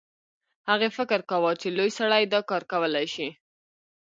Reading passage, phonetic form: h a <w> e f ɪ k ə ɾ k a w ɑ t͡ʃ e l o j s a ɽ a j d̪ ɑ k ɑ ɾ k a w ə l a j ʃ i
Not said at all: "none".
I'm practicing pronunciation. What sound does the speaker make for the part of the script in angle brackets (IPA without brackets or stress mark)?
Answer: ɣ